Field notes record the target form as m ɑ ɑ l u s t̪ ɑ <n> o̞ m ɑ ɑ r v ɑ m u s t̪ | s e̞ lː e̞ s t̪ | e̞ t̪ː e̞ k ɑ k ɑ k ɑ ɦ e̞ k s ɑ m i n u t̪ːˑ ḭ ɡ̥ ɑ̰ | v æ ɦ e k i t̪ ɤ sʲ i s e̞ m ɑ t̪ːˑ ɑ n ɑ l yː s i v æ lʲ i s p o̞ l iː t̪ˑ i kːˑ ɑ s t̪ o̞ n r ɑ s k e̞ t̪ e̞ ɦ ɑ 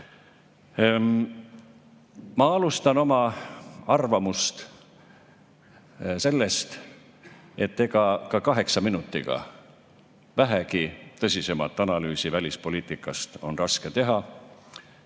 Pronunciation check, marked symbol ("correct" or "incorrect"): correct